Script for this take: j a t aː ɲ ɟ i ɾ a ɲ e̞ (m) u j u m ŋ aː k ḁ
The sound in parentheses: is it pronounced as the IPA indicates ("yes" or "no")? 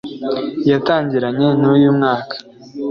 no